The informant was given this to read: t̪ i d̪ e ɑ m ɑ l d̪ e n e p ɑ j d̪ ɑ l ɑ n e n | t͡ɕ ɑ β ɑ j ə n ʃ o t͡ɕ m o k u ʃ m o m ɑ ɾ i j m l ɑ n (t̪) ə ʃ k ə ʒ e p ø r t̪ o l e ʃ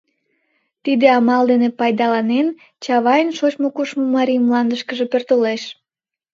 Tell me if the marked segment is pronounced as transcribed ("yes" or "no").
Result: no